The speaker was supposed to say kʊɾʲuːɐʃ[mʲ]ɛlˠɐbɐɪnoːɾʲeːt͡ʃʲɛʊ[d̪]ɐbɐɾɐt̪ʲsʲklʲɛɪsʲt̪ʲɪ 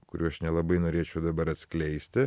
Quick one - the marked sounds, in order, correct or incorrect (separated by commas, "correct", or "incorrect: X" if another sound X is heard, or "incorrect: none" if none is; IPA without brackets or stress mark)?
incorrect: nʲ, correct